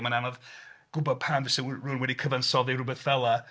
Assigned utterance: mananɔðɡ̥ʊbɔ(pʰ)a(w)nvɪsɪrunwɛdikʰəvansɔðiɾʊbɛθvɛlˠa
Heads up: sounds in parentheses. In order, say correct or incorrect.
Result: correct, incorrect

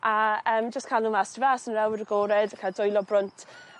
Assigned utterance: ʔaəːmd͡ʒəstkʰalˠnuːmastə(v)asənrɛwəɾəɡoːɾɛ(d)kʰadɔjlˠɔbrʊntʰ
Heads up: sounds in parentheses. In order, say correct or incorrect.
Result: correct, correct

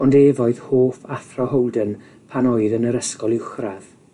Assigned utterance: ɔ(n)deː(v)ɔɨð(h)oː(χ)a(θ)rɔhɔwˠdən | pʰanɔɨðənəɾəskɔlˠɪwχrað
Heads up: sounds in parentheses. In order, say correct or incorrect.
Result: correct, correct, correct, incorrect, correct

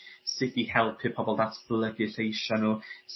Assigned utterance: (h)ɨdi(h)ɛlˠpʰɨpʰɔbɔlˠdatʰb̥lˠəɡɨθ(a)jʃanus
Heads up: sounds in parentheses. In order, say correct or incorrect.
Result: incorrect, correct, incorrect

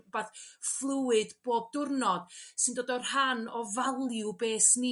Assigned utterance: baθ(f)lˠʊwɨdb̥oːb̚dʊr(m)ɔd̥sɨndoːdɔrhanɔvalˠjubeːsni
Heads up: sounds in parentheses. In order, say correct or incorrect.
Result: correct, incorrect

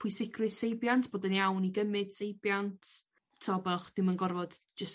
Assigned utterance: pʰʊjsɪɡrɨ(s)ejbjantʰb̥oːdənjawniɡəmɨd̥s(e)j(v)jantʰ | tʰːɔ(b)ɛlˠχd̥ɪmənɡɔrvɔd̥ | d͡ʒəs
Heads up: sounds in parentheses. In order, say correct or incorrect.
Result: correct, correct, incorrect, correct

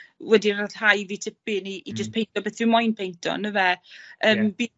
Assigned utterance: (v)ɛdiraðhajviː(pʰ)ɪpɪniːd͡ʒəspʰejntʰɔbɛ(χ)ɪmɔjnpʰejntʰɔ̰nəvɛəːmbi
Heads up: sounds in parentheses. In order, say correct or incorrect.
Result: incorrect, incorrect, incorrect

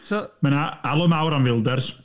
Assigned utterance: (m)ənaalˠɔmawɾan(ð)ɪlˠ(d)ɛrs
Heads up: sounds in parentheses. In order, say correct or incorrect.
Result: correct, incorrect, correct

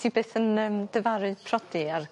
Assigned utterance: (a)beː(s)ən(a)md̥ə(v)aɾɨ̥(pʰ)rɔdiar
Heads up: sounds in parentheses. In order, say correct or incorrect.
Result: incorrect, incorrect, incorrect, correct, correct

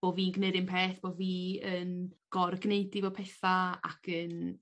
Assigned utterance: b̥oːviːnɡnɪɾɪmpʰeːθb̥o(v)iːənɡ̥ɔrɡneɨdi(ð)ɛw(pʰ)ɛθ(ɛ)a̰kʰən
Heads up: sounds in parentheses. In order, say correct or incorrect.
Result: correct, incorrect, correct, incorrect

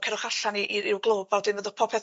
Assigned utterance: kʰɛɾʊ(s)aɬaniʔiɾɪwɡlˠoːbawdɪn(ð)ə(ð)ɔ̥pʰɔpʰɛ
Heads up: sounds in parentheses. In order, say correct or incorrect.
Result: incorrect, incorrect, correct

